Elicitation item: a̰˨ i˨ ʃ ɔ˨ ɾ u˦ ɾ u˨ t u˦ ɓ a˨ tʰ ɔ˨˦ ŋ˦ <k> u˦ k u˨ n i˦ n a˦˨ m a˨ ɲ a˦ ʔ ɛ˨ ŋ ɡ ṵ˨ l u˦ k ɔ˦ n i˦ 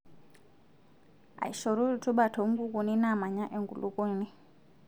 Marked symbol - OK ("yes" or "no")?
no